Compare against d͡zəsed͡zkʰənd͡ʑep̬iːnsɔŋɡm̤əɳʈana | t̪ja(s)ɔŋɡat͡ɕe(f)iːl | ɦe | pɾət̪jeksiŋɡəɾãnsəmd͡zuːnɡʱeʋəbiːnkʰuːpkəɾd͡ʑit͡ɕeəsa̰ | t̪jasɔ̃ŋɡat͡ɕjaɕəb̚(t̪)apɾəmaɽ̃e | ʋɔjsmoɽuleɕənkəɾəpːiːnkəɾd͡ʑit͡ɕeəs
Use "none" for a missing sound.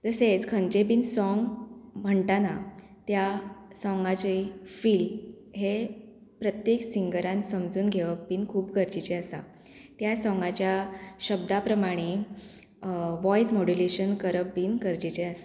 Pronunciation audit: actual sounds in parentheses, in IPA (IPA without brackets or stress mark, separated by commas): s, f, d̪